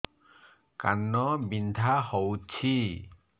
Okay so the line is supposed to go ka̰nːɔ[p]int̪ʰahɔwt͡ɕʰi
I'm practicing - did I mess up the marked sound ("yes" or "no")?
yes